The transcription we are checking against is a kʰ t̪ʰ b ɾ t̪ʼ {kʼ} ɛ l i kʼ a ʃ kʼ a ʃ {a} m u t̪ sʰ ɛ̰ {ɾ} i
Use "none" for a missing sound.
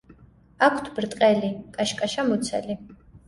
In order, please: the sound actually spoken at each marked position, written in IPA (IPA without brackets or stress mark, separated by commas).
qʼ, a, l